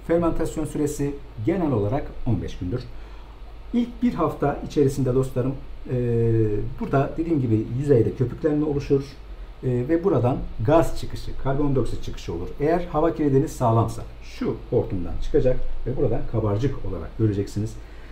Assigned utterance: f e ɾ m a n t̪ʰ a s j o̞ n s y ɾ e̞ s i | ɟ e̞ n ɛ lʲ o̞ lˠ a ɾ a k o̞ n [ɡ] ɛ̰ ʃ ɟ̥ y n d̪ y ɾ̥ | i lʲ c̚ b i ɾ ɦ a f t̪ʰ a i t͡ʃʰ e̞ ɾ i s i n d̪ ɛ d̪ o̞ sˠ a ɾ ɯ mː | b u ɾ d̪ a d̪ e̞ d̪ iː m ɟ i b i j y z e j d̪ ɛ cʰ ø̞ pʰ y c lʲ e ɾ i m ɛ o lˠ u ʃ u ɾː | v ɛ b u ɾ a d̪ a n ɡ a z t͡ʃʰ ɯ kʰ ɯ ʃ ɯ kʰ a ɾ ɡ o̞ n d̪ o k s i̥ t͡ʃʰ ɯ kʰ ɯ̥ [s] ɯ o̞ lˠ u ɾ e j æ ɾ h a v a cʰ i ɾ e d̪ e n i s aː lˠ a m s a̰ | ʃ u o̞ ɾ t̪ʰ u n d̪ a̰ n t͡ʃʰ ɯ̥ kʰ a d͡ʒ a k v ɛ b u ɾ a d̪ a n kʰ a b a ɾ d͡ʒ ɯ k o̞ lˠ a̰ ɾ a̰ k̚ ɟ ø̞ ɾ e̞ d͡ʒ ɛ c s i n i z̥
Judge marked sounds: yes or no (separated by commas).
no, no